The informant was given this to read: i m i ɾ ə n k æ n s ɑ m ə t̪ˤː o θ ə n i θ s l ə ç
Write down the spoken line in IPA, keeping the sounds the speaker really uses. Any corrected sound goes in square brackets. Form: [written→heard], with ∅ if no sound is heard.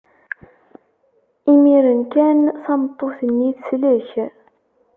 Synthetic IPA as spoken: i m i ɾ ə n k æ n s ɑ m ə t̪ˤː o θ ə n i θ s l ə ç

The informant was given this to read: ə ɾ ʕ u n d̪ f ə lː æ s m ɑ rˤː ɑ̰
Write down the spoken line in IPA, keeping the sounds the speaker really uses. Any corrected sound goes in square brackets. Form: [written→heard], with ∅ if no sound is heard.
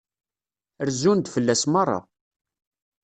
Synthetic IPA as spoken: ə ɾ [ʕ→z] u n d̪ f ə lː æ s m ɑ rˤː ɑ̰

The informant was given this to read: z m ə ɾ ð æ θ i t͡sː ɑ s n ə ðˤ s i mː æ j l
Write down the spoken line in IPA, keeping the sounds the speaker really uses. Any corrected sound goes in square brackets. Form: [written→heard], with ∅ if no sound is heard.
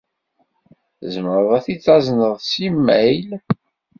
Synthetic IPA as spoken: z m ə ɾ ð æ θ i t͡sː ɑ [s→z] n ə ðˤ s i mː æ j l

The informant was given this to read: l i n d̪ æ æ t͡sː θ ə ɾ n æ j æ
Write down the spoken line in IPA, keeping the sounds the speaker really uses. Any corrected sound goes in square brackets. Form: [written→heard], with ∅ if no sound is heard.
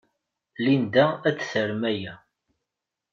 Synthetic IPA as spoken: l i n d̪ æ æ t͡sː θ ə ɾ [n→m] æ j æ

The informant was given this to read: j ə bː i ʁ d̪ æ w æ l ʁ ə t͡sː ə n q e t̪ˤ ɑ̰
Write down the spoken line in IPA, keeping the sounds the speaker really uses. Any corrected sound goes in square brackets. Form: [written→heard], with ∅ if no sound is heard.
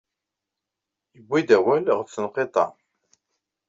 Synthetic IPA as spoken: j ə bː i [ʁ→∅] d̪ æ w æ l ʁ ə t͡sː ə n q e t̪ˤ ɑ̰

